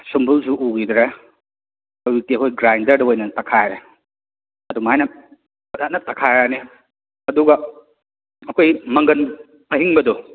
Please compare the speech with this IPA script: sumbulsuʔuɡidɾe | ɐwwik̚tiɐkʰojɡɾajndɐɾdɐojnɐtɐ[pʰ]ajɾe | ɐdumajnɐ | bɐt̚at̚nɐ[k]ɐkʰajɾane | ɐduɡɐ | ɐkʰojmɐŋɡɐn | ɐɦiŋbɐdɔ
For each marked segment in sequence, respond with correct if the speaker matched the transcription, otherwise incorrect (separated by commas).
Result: incorrect, incorrect